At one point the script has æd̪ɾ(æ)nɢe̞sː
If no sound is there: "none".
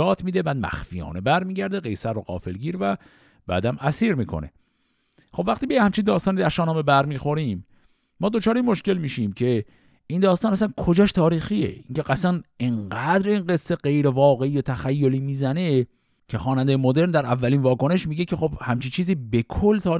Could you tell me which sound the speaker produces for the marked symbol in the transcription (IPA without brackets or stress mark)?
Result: i